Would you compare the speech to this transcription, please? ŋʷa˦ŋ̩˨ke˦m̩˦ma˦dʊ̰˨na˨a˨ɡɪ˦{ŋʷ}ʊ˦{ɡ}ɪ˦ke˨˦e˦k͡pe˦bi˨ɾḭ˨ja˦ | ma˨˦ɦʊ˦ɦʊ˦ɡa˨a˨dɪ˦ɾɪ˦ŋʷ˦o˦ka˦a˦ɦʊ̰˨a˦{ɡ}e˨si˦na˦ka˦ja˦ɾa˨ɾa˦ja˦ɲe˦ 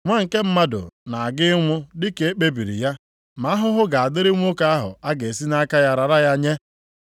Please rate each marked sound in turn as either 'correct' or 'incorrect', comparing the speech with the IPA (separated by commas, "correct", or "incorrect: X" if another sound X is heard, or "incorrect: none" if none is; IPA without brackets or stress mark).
correct, incorrect: d, correct